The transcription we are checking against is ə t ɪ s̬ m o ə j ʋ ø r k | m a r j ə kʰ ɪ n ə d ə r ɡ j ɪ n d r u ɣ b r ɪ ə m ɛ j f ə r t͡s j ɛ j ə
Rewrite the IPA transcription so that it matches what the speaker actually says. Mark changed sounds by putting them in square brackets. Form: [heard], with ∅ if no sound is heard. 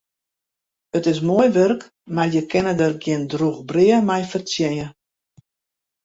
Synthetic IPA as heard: ə t ɪ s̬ m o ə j ʋ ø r k | m a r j ə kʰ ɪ n ə d ə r ɡ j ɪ n d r u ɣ b r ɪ ə m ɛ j f ə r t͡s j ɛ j ə